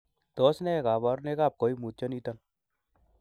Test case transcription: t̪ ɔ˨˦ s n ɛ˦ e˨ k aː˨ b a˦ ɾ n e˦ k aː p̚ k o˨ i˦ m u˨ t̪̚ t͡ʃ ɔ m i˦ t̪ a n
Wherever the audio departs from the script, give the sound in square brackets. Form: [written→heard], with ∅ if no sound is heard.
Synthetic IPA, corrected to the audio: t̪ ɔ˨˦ s n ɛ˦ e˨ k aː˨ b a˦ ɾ n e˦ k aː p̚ k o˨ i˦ m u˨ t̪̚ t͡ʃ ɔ [m→n] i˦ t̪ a n